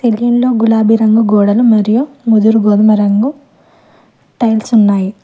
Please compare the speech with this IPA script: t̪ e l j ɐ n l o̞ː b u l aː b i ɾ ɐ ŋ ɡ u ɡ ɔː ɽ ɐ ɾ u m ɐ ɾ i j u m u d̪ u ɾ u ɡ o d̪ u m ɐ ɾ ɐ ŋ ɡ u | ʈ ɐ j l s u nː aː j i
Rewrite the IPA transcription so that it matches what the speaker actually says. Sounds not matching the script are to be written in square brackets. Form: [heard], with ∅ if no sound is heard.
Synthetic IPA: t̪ e l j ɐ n l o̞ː [ɡ] u l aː b i ɾ ɐ ŋ ɡ u ɡ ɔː ɽ ɐ [l] u m ɐ ɾ i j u m u d̪ u ɾ u ɡ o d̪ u m ɐ ɾ ɐ ŋ ɡ u | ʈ ɐ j l s u nː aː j i

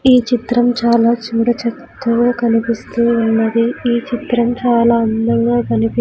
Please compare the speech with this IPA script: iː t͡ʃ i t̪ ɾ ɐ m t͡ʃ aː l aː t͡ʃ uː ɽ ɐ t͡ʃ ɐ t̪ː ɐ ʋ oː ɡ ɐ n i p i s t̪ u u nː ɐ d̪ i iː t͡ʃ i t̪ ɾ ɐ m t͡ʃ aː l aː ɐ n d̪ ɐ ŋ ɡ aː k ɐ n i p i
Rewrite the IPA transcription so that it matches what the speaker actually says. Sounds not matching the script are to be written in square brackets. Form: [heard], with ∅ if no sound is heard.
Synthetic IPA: iː t͡ʃ i t̪ ɾ ɐ m t͡ʃ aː l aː t͡ʃ uː ɽ ɐ t͡ʃ ɐ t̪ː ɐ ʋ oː [k] ɐ n i p i s t̪ u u nː ɐ d̪ i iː t͡ʃ i t̪ ɾ ɐ m t͡ʃ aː l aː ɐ n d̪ ɐ ŋ ɡ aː k ɐ n i p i

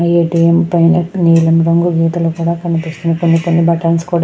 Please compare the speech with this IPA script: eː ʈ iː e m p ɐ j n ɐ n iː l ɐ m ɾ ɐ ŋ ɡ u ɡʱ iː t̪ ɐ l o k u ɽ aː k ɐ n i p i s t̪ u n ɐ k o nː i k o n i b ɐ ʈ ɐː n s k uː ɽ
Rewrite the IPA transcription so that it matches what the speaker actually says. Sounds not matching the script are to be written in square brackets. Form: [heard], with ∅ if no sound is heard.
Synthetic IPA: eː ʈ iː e m p ɐ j n ɐ n iː l ɐ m ɾ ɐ ŋ ɡ u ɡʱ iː t̪ ɐ l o k [uː] ɽ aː k ɐ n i p i s t̪ u n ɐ k o nː i k o [nː] i b ɐ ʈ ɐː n s k uː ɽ

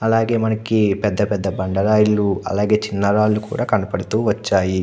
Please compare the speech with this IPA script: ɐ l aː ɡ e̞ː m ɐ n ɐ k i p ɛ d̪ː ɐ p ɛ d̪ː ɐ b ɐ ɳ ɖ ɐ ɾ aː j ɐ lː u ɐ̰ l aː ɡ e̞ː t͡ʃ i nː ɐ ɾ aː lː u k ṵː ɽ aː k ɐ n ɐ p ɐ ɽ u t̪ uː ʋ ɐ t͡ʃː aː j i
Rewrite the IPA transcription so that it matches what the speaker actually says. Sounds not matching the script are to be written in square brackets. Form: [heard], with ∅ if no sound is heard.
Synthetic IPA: ɐ l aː ɡ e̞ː m ɐ n ɐ k i p ɛ d̪ː ɐ p ɛ d̪ː ɐ b ɐ ɳ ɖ ɐ ɾ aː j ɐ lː u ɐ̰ l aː ɡ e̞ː t͡ʃ i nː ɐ ɾ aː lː u k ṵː ɽ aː k ɐ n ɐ p ɐ ɽ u t̪ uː ʋ ɐ t͡ʃː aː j i

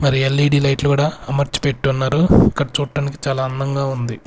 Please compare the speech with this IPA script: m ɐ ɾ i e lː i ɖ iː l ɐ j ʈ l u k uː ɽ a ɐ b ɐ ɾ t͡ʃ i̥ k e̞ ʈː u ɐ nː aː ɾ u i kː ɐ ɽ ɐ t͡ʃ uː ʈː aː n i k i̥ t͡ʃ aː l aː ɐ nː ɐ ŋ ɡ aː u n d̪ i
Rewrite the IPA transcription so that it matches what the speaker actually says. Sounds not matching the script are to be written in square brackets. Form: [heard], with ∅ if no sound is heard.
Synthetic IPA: m ɐ ɾ i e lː i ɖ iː l ɐ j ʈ l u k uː ɽ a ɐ [m] ɐ ɾ t͡ʃ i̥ [p] e̞ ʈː u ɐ nː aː ɾ u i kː ɐ ɽ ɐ t͡ʃ uː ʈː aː n i k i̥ t͡ʃ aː l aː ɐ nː ɐ ŋ ɡ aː u n d̪ i

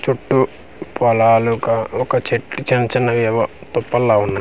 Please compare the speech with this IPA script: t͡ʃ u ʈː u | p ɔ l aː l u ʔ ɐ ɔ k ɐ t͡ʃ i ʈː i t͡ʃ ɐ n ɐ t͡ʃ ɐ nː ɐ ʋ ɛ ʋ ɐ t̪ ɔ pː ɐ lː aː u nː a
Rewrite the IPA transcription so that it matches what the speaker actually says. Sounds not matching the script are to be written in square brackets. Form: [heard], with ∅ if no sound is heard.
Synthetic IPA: t͡ʃ u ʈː u | p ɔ l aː l u [k] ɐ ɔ k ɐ t͡ʃ [e] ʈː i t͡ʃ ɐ n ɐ t͡ʃ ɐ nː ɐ ʋ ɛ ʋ ɐ t̪ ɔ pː ɐ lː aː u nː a

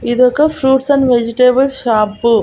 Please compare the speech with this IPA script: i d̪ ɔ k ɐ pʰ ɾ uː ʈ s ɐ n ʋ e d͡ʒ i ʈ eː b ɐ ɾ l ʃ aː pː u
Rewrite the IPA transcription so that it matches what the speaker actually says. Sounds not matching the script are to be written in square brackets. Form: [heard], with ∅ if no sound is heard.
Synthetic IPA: i d̪ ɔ k ɐ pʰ ɾ uː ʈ s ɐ n ʋ e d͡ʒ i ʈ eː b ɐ [∅] l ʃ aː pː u

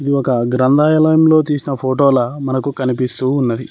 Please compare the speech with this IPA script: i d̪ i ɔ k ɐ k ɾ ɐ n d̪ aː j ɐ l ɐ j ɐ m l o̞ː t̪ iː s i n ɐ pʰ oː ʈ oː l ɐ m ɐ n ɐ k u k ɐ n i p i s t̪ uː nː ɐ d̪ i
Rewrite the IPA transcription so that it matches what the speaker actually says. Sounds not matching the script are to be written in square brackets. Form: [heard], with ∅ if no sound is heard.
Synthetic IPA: i d̪ i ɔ k ɐ [ɡ] ɾ ɐ n d̪ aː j ɐ l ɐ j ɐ m l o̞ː t̪ iː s i n ɐ pʰ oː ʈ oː l ɐ m ɐ n ɐ k u k ɐ n i p i s t̪ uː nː ɐ d̪ i

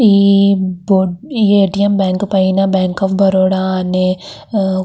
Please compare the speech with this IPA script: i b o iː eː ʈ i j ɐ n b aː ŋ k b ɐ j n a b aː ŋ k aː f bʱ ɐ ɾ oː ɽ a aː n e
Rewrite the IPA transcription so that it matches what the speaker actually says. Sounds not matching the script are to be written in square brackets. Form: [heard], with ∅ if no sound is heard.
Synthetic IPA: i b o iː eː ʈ i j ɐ [m] b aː ŋ k [p] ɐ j n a b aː ŋ k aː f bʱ ɐ ɾ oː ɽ a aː n e

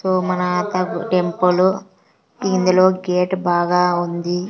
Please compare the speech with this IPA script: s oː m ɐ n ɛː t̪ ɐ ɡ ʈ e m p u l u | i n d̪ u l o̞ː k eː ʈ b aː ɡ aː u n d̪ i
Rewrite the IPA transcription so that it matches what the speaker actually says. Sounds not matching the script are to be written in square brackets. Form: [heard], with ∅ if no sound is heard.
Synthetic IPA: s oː m ɐ n [aː] t̪ ɐ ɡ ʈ e m p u l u | i n d̪ u l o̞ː [ɡ] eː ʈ b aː ɡ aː u n d̪ i

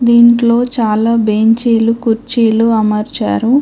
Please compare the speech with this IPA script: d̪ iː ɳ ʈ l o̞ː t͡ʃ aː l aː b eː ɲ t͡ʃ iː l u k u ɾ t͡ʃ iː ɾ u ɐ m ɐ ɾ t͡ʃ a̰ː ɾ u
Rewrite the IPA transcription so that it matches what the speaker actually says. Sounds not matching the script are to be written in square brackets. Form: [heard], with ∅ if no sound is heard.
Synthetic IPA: d̪ iː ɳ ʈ l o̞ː t͡ʃ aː l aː b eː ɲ t͡ʃ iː l u k u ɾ t͡ʃ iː [l] u ɐ m ɐ ɾ t͡ʃ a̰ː ɾ u

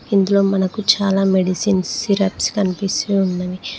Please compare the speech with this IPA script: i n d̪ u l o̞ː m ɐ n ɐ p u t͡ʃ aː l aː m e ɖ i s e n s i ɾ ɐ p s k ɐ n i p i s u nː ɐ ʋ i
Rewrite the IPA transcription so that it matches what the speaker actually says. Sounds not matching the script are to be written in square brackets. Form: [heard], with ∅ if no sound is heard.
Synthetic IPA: i n d̪ u l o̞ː m ɐ n ɐ [k] u t͡ʃ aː l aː m e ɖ i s [i] n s i ɾ ɐ p s k ɐ n i p i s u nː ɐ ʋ i

